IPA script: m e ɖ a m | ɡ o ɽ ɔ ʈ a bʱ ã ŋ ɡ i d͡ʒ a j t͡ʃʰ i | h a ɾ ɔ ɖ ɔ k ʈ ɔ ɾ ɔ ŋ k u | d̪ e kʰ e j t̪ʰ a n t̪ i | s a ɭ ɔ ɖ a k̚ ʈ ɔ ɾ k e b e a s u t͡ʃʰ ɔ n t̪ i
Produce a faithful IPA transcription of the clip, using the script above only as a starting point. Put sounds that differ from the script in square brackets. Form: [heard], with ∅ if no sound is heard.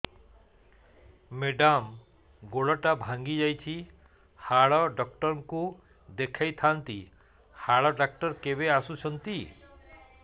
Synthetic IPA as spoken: m e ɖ a m | ɡ o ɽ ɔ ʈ a bʱ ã ŋ ɡ i d͡ʒ a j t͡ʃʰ i | h a [ɭ] ɔ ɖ ɔ k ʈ ɔ ɾ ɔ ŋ k u | d̪ e kʰ [a] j t̪ʰ a n t̪ i | [h] a ɭ ɔ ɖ a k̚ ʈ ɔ ɾ k e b e a s u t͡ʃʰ ɔ n t̪ i